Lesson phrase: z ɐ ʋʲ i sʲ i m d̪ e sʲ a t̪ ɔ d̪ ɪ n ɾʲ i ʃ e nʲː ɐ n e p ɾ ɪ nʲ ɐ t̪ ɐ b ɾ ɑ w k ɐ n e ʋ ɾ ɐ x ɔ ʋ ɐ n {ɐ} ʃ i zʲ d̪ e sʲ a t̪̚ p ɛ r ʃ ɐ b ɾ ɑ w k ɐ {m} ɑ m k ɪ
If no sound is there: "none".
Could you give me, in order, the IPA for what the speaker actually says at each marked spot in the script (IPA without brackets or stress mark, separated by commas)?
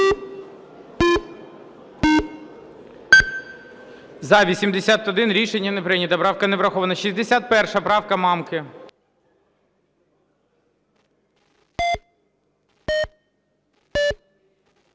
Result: ɐ, m